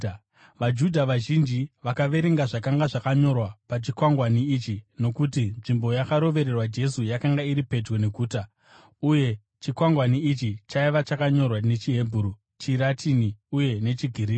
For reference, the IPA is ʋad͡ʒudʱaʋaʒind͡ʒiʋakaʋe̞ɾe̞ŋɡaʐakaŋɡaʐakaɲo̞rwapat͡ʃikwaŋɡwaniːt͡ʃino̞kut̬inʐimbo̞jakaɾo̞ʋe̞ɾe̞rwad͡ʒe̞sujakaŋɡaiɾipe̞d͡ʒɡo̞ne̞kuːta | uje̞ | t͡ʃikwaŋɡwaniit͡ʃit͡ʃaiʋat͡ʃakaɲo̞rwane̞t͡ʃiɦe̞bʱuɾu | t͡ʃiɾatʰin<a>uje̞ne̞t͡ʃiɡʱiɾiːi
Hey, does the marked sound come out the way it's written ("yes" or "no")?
no